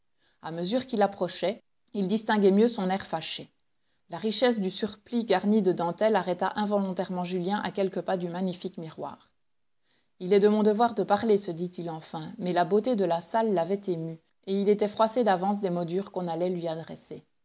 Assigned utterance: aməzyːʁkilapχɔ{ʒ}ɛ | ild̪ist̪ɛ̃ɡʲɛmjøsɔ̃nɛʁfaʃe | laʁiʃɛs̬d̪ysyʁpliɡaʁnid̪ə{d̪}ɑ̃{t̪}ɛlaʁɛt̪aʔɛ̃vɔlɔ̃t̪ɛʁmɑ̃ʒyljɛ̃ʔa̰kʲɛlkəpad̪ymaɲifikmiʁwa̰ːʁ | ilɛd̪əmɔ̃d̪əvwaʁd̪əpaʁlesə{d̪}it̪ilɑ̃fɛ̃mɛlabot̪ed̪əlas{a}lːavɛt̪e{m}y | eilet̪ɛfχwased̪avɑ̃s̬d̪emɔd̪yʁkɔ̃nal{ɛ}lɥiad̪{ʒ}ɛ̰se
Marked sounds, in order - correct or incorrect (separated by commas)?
incorrect, correct, correct, correct, correct, correct, correct, incorrect